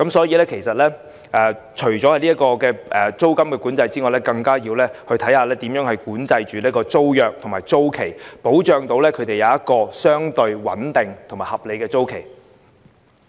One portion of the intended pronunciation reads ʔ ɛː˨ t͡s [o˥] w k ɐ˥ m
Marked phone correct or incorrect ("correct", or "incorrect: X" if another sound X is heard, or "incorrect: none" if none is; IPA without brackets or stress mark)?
correct